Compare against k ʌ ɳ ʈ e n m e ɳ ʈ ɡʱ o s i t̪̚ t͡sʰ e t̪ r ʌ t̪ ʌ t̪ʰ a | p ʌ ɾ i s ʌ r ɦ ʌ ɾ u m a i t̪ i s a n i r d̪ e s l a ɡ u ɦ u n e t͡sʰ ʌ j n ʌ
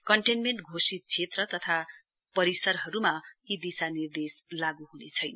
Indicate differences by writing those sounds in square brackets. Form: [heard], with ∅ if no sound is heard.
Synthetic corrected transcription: k ʌ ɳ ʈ e n m e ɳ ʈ ɡʱ o s i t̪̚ t͡sʰ e t̪ r ʌ t̪ ʌ t̪ʰ a | p ʌ ɾ i s ʌ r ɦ ʌ ɾ u m a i [d̪] i s a n i r d̪ e s l a ɡ u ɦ u n e t͡sʰ ʌ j n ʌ